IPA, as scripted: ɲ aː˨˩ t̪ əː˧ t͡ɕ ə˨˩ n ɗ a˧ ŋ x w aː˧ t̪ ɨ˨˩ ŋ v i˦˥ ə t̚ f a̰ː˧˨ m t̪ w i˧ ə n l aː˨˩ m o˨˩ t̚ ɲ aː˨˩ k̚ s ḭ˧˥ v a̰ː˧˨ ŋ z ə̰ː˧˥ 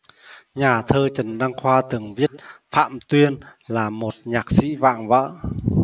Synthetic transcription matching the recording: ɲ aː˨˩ t̪ʰ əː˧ t͡ɕ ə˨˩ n ɗ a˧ ŋ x w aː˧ t̪ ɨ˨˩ ŋ v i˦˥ ə t̚ f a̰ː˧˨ m t̪ w i˧ ə n l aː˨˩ m o˨˩ t̚ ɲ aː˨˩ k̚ s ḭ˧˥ v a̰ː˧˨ ŋ v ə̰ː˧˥

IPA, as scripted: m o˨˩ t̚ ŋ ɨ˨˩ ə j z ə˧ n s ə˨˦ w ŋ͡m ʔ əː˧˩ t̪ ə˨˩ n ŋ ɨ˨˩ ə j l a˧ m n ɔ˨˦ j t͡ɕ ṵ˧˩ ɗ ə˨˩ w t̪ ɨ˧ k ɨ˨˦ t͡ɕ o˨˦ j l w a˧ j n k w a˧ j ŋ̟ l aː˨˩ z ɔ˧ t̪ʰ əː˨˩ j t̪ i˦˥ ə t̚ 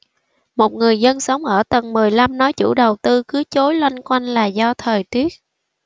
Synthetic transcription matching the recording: m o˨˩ t̚ ŋ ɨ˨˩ ə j z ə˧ n s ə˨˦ w ŋ͡m ʔ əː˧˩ t̪ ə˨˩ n m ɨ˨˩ ə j l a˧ m n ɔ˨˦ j t͡ɕ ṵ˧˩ ɗ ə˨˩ w t̪ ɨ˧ k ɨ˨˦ t͡ɕ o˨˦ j l w a˧ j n k w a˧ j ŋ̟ l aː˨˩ z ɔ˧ t̪ʰ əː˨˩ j t̪ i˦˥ ə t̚

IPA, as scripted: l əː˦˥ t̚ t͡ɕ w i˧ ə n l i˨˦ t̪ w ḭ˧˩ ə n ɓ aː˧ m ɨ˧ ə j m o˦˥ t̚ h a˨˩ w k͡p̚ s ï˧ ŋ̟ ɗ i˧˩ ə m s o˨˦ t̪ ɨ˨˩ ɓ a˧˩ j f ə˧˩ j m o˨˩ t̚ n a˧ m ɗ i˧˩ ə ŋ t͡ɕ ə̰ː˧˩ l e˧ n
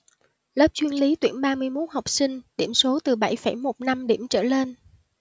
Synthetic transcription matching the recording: l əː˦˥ p̚ t͡ɕ w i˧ ə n l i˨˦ t̪ w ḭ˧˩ ə n ɓ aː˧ m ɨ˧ ə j m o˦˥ t̚ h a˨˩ w k͡p̚ s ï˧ ŋ̟ ɗ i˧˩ ə m s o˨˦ t̪ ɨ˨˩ ɓ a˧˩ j f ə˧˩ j m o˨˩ t̚ n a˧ m ɗ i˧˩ ə m t͡ɕ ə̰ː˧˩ l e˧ n

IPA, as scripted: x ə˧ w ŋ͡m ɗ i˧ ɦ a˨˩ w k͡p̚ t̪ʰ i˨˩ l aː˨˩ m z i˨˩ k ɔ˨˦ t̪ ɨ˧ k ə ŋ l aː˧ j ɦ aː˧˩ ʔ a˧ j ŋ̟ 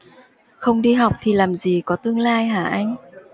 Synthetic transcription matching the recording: x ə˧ w ŋ͡m ɗ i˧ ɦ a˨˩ w k͡p̚ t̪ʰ i˨˩ l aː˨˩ m z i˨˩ k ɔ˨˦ t̪ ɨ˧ ə ŋ l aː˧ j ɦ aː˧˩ ʔ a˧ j ŋ̟

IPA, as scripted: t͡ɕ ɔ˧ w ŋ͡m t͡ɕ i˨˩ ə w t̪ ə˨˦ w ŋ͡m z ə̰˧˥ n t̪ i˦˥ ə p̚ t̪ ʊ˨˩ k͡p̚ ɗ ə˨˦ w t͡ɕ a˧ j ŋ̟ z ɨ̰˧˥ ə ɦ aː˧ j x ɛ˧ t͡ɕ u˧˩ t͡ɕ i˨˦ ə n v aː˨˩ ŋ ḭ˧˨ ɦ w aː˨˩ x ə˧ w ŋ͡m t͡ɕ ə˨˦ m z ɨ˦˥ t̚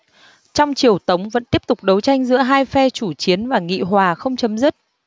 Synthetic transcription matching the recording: t͡ɕ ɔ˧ w ŋ͡m t͡ɕ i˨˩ ə w t̪ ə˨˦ w ŋ͡m v ə̰˧˥ n t̪ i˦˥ ə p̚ t̪ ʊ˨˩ k͡p̚ ɗ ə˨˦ w t͡ɕ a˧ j ŋ̟ z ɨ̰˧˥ ə ɦ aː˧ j f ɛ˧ t͡ɕ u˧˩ t͡ɕ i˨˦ ə n v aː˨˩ ŋ ḭ˧˨ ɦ w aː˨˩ x ə˧ w ŋ͡m t͡ɕ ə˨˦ m z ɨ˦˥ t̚

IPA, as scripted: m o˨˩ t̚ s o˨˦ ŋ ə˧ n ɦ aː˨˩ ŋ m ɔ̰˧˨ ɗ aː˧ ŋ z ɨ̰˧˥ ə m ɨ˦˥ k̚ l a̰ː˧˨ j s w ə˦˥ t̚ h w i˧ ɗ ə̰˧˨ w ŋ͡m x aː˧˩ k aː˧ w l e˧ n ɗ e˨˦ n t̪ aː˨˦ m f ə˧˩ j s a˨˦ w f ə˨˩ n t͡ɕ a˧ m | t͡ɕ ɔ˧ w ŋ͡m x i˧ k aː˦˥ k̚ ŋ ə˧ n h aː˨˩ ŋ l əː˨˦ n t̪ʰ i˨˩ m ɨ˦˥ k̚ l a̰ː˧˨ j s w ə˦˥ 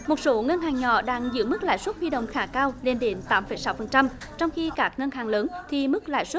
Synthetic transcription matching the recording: m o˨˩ t̚ s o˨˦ ŋ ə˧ n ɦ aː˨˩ ŋ ɲ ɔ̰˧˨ ɗ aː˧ ŋ z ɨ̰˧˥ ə m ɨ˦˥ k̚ l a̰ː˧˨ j s w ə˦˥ t̚ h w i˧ ɗ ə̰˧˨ w ŋ͡m x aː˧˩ k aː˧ w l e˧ n ɗ e˨˦ n t̪ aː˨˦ m f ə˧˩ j s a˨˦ w f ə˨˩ n t͡ɕ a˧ m | t͡ɕ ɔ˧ w ŋ͡m x i˧ k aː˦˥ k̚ ŋ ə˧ n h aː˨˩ ŋ l əː˨˦ n t̪ʰ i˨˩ m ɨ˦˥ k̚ l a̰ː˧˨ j s w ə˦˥

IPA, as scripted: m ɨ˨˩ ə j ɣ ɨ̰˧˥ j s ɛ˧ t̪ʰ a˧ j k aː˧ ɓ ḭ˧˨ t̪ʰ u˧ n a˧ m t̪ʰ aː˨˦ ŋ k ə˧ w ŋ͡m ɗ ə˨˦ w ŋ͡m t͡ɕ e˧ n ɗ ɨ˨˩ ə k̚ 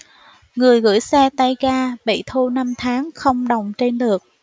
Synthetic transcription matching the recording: ŋ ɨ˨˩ ə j ɣ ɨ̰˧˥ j s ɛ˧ t̪ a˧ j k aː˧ ɓ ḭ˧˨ t̪ʰ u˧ n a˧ m t̪ʰ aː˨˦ ŋ x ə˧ w ŋ͡m ɗ ə˨˩ w ŋ͡m t͡ɕ e˧ n ɗ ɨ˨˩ ə k̚

